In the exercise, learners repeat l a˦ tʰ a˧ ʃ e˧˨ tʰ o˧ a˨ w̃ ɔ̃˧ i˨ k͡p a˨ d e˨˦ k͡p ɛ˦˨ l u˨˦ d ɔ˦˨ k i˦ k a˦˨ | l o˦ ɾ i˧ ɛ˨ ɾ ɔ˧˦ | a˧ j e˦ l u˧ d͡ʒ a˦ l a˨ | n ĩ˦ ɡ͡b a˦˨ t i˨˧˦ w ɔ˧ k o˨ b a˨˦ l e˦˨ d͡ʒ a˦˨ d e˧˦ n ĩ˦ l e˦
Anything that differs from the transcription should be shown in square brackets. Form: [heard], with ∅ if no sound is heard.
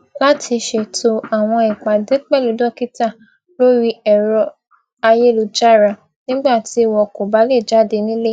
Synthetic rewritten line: l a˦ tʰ [i˧] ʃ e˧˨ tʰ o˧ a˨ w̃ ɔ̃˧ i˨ k͡p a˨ d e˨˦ k͡p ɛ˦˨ l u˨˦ d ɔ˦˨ k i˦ [t] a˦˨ | l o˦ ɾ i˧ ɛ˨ ɾ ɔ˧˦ | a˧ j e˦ l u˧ d͡ʒ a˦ [ɾ] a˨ | n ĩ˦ ɡ͡b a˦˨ t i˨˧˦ w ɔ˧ k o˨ b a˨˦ l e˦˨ d͡ʒ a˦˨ d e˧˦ n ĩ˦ l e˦